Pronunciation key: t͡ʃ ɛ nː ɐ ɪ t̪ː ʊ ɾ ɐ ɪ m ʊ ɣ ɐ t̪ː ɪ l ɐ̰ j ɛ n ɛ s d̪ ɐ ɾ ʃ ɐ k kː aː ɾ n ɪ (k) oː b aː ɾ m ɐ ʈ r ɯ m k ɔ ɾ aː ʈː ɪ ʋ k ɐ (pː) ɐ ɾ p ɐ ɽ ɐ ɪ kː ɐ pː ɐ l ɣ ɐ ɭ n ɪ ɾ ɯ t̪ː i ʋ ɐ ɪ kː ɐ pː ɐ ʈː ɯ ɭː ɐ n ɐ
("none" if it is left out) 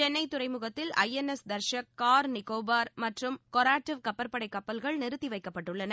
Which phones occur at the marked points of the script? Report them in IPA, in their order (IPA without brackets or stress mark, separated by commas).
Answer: k, pː